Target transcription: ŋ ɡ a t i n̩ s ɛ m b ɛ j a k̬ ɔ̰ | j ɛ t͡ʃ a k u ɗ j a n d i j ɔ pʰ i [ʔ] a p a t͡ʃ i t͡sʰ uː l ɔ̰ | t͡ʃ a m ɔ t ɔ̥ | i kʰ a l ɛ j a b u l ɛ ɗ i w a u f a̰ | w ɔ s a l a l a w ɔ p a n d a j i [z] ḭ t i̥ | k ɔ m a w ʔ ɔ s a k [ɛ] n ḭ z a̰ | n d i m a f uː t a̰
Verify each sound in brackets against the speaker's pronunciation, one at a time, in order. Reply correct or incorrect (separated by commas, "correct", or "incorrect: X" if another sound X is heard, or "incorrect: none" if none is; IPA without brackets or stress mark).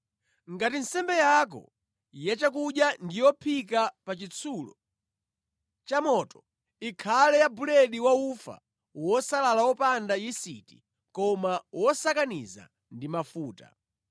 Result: incorrect: k, incorrect: s, incorrect: a